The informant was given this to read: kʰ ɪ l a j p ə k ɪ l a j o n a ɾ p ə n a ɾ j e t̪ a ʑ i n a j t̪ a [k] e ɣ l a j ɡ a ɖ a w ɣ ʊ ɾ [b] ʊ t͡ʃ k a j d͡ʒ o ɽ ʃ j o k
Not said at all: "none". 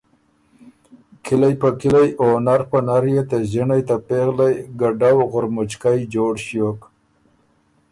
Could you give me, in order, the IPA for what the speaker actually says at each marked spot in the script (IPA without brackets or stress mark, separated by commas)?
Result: p, m